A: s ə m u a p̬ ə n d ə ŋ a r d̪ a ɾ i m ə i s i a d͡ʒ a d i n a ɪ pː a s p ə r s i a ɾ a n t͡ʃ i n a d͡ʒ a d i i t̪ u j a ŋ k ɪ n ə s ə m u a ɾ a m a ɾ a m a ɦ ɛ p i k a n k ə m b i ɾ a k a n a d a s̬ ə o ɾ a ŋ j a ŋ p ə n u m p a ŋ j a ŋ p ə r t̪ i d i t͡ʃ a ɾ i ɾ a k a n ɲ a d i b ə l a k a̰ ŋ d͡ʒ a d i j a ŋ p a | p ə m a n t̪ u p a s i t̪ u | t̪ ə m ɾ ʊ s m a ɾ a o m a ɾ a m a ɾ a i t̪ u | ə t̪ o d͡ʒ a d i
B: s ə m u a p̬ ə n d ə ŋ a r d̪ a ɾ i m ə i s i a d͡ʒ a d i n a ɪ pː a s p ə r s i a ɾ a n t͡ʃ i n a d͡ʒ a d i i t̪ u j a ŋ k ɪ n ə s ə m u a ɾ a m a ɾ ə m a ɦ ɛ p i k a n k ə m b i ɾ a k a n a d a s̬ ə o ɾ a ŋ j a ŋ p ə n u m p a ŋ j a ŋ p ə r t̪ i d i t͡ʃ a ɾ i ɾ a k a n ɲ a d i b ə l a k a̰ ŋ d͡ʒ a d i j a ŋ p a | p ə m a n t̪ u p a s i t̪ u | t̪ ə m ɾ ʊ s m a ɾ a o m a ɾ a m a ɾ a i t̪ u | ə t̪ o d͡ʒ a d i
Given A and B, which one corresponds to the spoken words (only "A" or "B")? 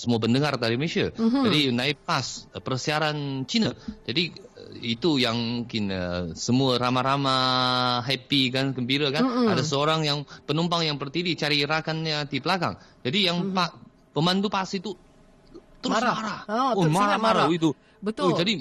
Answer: A